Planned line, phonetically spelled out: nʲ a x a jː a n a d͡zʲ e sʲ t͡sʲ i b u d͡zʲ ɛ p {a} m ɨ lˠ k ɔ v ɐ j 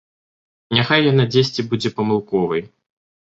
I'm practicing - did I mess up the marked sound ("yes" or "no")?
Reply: yes